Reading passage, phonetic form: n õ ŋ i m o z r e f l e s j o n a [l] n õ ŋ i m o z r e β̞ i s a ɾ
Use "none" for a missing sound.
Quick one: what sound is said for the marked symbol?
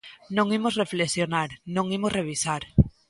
ɾ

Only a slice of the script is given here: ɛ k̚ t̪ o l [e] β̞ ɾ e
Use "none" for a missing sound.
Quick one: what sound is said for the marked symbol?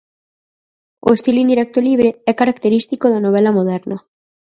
i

